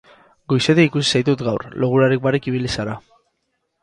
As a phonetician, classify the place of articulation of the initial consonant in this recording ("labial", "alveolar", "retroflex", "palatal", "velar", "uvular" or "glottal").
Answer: velar